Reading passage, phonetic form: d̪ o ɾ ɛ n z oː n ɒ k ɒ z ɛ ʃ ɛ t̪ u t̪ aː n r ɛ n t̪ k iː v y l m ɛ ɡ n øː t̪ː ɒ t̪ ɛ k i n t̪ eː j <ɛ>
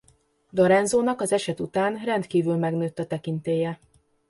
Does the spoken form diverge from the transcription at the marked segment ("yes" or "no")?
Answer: no